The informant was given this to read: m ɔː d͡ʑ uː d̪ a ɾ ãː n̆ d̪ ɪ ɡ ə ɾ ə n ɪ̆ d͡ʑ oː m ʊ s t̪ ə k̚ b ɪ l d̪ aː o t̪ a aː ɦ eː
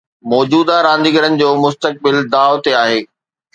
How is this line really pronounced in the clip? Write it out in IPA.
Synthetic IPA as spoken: m ɔː d͡ʑ uː d̪ a ɾ ãː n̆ d̪ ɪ ɡ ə ɾ ə n ɪ̆ d͡ʑ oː m ʊ s t̪ ə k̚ b ɪ l d̪ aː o t̪ e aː ɦ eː